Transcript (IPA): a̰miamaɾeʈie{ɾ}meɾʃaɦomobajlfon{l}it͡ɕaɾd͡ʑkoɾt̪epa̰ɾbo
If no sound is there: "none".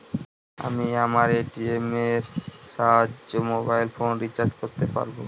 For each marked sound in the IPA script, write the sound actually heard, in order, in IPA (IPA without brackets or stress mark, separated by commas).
none, ɾ